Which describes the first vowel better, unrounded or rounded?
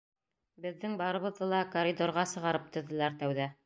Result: unrounded